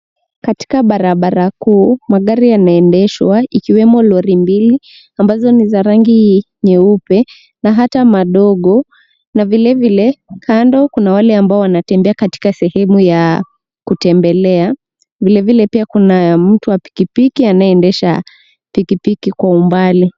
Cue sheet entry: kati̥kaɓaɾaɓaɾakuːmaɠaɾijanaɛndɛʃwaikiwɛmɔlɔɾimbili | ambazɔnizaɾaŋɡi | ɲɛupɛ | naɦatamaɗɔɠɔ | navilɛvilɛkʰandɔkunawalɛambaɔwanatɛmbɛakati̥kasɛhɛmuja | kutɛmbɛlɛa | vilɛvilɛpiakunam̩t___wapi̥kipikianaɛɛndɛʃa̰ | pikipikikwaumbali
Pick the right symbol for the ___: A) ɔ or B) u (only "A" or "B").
B